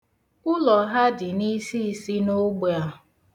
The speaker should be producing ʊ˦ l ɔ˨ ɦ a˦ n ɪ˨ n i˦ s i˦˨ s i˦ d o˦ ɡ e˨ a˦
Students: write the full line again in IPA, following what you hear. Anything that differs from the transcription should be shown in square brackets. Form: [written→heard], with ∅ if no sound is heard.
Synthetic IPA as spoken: ʊ˦ l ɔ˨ ɦ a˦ [n→d] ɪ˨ n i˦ s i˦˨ s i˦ [d→n] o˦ [ɡ→ɡ͡b] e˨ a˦